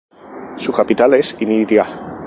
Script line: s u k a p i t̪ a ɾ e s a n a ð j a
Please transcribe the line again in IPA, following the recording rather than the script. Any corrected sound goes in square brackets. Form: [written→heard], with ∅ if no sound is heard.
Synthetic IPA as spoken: s u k a p i t̪ a [ɾ→l] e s [a→i] n [a→i] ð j a